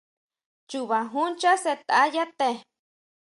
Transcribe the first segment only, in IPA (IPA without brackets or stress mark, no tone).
t͡ʃ